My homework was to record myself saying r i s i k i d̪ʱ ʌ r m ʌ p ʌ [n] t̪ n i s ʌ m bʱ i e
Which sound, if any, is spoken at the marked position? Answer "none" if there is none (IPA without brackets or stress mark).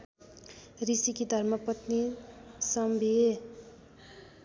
none